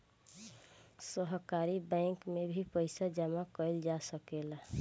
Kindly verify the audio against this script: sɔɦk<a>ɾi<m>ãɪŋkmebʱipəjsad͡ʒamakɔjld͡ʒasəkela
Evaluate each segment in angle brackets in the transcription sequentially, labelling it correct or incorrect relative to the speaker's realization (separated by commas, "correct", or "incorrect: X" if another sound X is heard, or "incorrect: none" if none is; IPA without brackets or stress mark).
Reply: correct, incorrect: b